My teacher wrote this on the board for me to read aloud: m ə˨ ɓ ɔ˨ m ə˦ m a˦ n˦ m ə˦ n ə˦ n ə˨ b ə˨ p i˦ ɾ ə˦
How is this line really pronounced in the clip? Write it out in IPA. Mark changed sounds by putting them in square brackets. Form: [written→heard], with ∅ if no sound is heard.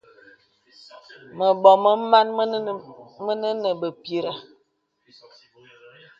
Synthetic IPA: m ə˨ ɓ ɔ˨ m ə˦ m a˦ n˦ m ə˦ n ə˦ n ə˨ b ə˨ p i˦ ɾ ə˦